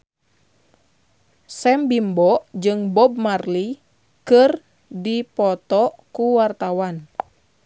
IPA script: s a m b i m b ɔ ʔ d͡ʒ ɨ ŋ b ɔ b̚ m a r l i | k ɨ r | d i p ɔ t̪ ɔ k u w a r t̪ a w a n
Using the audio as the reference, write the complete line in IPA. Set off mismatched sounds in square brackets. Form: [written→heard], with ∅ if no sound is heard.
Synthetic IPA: s [a→ɛ] m b i m b ɔ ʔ d͡ʒ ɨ ŋ b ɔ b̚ m a r l i | k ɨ r | d i p ɔ t̪ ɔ k u w a r t̪ a w a n